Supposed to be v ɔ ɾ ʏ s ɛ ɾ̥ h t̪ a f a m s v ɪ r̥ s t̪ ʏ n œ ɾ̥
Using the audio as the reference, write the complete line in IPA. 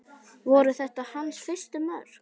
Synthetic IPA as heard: v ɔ ɾ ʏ θ ɛ h t̪ a h a n s f ɪ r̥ s t̪ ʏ m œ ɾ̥